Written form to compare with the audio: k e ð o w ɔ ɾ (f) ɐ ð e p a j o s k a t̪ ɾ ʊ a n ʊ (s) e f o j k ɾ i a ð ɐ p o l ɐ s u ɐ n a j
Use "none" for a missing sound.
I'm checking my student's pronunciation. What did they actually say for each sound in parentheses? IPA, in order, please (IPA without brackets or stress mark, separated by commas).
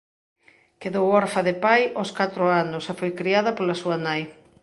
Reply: f, s